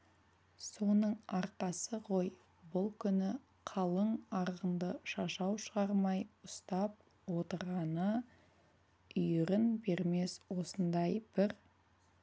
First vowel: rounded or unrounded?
rounded